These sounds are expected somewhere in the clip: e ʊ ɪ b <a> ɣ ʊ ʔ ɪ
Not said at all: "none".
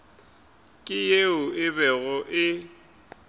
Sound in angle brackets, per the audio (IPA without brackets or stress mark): ɛ